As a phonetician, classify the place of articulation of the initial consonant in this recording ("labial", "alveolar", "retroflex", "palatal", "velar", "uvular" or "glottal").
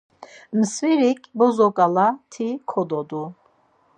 labial